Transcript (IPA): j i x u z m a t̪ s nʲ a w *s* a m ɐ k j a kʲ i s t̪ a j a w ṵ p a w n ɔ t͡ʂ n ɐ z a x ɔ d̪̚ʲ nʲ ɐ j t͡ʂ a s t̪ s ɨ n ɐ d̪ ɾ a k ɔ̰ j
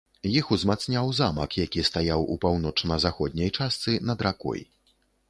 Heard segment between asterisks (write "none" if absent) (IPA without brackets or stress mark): z